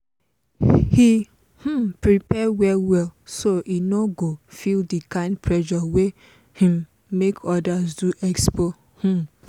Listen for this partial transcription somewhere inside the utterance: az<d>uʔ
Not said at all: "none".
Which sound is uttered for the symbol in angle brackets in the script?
d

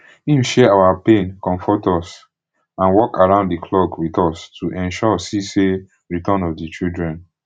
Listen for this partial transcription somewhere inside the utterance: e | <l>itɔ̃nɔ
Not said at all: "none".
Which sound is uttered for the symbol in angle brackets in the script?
ɹ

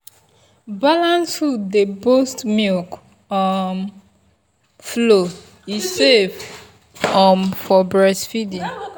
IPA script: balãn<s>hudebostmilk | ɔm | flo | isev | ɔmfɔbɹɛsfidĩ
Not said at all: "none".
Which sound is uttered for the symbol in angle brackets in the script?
s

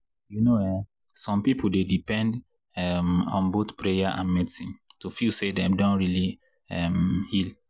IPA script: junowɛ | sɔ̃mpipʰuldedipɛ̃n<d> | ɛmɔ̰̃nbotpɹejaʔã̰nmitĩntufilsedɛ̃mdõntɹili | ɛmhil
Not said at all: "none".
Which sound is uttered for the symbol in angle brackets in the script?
d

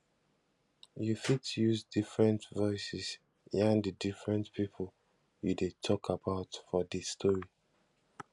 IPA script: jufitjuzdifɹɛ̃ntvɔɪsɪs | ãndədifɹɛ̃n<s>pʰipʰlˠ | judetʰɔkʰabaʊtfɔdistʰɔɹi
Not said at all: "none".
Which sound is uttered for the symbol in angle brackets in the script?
t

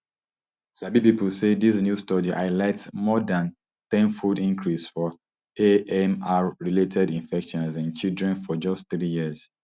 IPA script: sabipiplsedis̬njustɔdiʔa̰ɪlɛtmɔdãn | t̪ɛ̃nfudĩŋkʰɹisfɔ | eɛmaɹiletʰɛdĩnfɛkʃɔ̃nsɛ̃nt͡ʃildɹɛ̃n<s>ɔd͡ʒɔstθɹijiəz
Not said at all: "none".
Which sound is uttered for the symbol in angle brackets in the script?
f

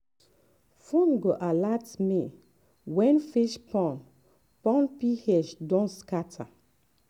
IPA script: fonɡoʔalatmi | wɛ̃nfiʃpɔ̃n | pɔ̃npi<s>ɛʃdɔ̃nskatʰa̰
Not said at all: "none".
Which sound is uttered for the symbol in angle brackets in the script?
h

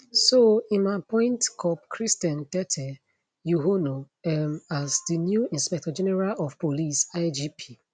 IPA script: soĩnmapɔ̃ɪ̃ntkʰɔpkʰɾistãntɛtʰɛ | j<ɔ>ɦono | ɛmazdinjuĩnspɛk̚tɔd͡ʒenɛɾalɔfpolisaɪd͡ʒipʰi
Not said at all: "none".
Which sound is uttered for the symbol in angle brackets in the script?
u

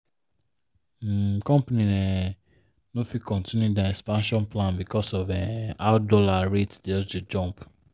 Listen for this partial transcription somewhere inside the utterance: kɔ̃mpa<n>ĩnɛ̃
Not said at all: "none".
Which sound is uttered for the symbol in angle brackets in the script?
n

